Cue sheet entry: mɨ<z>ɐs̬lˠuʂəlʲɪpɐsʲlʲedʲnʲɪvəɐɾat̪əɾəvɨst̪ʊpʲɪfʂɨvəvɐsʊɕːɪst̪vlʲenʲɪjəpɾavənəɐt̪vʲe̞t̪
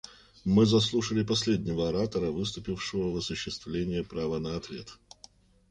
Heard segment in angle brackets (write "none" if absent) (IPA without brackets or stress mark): z